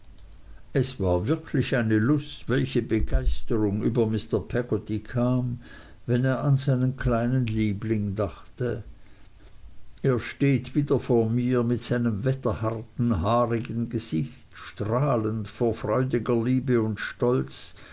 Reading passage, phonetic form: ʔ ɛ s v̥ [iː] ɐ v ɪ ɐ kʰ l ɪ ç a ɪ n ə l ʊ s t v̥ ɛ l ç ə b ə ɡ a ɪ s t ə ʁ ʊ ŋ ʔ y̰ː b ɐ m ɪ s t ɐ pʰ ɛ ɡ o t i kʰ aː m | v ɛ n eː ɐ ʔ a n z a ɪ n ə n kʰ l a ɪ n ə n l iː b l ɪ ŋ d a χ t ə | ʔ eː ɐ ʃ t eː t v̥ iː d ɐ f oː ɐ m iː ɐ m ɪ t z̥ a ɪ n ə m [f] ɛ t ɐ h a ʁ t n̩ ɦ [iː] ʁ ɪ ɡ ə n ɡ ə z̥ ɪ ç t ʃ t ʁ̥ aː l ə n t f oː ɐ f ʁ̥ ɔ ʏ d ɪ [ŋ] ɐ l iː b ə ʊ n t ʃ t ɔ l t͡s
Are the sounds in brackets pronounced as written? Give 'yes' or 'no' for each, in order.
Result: no, no, no, no

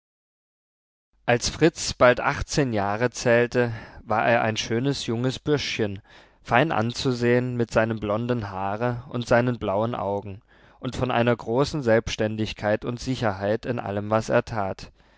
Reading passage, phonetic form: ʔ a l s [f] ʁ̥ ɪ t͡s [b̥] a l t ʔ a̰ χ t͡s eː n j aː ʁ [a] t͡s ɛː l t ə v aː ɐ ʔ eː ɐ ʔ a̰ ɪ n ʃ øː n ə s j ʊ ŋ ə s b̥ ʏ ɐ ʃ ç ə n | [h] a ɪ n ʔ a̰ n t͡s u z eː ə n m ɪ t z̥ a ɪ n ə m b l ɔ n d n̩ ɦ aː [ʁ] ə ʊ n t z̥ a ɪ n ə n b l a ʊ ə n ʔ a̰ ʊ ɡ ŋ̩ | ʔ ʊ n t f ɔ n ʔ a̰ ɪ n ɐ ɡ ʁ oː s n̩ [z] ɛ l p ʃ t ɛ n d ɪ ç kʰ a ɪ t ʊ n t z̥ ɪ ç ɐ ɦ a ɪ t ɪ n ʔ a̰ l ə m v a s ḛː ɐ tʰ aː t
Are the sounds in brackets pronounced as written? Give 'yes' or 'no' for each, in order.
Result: yes, yes, no, no, yes, yes

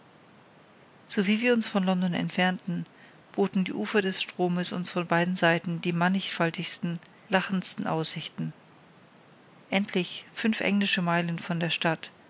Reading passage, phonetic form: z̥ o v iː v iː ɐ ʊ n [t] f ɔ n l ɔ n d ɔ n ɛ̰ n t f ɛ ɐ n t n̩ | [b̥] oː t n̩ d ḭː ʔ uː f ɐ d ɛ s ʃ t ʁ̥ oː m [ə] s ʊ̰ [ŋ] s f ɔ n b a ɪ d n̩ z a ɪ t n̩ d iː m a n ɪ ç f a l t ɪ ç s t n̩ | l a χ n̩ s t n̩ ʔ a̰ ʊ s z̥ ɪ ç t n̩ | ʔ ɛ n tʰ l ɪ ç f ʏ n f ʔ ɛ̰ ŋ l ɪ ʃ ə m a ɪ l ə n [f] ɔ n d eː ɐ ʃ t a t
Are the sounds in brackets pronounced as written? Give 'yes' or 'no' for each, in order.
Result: no, yes, yes, no, yes

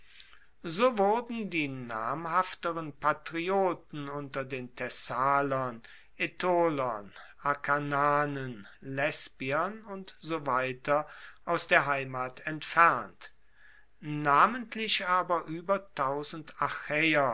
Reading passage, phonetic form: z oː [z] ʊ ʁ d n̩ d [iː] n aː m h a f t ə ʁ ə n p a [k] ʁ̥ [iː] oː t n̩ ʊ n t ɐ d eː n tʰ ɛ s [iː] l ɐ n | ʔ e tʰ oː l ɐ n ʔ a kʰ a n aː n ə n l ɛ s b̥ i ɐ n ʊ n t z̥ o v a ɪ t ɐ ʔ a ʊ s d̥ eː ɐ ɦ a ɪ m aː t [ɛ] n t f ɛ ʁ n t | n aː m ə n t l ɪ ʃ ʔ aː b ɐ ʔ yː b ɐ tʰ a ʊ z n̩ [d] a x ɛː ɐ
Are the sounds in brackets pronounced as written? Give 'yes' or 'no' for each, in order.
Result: no, yes, no, no, no, yes, no

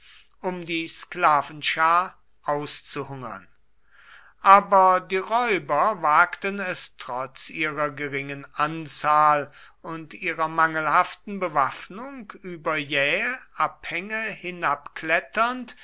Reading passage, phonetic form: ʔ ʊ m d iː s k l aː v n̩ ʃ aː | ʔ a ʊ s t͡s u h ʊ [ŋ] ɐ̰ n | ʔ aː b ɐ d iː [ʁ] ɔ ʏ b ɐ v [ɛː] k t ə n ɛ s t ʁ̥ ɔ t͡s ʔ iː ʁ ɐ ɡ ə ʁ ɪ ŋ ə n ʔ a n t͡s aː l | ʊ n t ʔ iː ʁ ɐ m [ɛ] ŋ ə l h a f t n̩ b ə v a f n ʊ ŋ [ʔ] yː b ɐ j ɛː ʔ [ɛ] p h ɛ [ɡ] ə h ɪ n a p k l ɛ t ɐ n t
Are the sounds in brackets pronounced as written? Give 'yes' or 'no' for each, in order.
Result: yes, yes, no, no, no, no, no

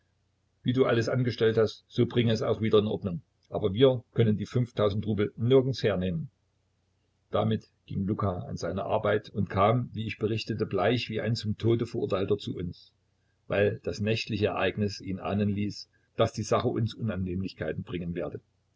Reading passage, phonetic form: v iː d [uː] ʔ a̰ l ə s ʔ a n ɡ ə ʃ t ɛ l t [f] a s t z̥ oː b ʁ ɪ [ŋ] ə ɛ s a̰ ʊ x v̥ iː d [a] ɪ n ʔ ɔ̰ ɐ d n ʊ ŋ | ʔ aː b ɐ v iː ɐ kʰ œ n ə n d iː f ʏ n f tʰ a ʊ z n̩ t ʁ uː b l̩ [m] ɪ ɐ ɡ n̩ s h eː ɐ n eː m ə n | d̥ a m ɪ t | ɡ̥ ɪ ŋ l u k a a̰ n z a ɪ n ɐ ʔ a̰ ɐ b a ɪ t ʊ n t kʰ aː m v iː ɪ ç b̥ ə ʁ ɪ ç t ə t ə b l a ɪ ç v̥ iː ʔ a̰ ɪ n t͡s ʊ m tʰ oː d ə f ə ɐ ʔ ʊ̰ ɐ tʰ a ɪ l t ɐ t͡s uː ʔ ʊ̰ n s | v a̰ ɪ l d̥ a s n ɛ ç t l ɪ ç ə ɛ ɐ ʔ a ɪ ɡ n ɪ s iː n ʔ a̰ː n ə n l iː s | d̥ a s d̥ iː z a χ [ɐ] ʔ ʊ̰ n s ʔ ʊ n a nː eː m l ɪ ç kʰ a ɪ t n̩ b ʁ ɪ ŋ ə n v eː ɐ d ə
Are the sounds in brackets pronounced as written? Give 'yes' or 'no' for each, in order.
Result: yes, no, yes, no, no, no

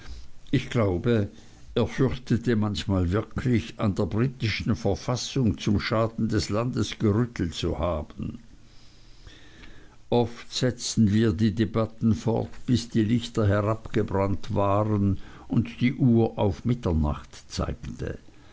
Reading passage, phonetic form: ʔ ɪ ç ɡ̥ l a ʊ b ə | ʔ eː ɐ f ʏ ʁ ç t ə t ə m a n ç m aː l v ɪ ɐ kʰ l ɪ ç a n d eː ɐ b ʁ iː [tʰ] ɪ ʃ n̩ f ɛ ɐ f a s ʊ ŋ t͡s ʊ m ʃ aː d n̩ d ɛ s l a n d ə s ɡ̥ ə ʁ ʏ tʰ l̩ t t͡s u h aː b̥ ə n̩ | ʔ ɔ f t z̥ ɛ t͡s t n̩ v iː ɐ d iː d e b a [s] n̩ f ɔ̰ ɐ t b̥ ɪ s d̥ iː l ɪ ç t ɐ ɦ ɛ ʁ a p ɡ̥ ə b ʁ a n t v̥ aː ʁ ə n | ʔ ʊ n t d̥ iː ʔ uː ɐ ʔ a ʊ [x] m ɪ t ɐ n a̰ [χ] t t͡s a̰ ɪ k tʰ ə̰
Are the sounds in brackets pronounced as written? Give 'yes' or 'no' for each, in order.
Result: no, no, no, yes

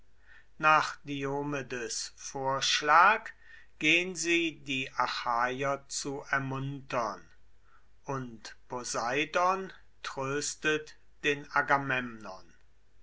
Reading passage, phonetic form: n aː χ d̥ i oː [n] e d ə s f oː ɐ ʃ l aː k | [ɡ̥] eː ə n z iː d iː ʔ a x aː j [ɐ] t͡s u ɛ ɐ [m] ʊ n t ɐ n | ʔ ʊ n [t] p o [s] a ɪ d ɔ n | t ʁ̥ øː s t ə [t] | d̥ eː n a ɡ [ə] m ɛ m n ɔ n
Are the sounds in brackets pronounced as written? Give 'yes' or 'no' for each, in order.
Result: no, yes, yes, yes, yes, no, yes, no

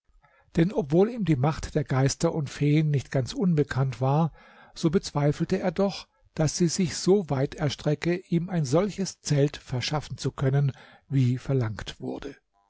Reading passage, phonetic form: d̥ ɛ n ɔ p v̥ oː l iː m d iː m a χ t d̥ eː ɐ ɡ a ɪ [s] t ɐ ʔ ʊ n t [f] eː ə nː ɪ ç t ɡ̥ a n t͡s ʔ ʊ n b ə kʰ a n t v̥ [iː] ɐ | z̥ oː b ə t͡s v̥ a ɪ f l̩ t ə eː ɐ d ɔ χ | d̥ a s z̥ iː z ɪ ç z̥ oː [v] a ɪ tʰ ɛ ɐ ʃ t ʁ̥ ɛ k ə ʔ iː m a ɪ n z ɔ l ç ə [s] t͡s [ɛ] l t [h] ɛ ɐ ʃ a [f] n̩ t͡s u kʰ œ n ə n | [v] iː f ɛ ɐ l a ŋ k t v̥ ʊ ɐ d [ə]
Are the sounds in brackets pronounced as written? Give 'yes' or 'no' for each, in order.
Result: yes, yes, no, yes, yes, yes, no, yes, yes, yes

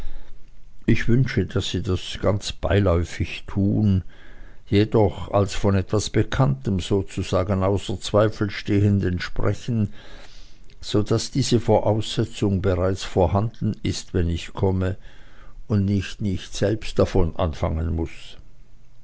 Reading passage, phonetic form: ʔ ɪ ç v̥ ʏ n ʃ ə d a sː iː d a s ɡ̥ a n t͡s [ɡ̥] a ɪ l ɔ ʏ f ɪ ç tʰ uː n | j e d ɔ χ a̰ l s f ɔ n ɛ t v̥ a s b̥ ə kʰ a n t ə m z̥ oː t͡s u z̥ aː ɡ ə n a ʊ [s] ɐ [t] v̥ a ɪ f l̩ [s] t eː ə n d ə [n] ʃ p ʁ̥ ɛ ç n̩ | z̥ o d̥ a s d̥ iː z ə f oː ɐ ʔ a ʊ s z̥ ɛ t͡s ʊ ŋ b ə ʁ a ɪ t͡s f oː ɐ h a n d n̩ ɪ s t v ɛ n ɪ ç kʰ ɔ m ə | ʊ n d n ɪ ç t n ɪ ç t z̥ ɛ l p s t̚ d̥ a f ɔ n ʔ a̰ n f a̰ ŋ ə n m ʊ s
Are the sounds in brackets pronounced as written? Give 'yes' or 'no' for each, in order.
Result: no, yes, no, no, yes

